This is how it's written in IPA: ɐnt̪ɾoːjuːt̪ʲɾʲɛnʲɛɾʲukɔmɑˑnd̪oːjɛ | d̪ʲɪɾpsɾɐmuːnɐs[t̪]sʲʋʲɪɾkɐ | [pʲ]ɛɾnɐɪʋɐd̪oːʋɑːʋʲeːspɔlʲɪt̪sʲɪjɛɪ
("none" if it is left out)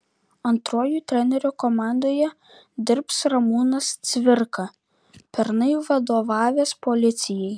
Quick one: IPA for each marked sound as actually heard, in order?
t̪, pʲ

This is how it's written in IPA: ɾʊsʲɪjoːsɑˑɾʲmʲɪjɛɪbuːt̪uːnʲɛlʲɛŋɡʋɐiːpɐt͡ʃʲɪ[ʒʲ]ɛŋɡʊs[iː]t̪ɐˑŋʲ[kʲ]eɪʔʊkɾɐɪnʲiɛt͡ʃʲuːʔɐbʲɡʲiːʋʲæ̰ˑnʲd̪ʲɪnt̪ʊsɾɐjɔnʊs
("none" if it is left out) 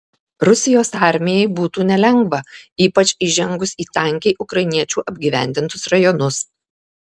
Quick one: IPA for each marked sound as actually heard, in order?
ʒʲ, iː, kʲ

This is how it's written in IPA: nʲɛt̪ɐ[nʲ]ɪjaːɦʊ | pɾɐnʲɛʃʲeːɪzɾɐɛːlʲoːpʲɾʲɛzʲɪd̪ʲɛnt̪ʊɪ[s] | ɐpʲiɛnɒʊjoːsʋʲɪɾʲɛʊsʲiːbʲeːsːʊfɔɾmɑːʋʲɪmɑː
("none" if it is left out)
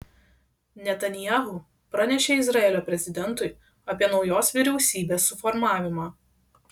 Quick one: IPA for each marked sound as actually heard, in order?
nʲ, none

